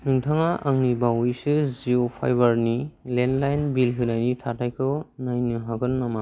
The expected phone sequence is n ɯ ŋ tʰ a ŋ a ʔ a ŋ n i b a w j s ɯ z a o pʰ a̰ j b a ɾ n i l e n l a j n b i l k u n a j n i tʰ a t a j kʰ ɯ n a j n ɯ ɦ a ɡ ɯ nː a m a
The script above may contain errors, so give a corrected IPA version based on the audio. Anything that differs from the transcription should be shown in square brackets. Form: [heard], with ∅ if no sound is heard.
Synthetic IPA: n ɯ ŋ tʰ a ŋ a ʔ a ŋ n i b a w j s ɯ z [i] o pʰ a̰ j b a ɾ n i l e n l a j n b i l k [ɯ] n a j n i tʰ a t a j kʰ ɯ n a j n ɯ ɦ a ɡ ɯ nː a m a